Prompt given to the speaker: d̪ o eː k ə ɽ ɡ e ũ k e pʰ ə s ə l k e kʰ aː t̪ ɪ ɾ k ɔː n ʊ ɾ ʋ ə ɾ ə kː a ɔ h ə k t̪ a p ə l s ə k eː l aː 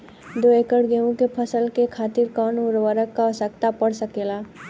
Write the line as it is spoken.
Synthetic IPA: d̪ o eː k ə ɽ ɡ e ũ k e pʰ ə s ə l k e kʰ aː t̪ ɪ ɾ k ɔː n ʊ ɾ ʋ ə ɾ ə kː a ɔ s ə k t̪ a p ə ɽ s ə k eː l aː